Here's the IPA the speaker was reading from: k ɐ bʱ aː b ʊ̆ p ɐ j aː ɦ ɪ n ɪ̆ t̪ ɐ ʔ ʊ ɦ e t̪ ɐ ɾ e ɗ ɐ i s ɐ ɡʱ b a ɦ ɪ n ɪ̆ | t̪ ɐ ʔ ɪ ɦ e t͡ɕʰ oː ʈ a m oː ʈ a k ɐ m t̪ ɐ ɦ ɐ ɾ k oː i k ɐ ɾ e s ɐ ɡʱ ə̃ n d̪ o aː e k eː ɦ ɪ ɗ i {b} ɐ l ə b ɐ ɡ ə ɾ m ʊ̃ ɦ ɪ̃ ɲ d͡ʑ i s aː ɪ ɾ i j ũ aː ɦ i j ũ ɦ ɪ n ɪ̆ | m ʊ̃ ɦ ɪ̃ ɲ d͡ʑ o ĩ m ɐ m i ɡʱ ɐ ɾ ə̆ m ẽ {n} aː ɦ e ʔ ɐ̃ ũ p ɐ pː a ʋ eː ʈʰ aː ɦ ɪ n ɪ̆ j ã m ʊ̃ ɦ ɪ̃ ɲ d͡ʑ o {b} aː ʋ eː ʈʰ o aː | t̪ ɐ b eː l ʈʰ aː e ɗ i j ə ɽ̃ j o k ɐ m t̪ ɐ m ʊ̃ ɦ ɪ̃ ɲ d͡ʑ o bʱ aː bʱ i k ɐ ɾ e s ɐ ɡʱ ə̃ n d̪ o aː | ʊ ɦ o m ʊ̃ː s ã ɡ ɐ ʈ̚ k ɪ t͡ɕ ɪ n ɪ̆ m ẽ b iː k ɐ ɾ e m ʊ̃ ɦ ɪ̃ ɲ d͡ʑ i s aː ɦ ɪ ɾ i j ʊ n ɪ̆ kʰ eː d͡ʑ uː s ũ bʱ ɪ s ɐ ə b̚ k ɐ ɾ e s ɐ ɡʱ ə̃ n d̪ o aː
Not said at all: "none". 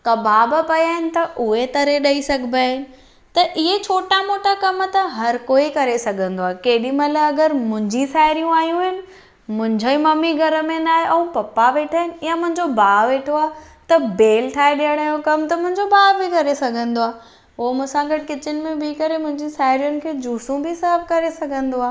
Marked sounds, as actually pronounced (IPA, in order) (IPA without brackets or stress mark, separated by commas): m, n, b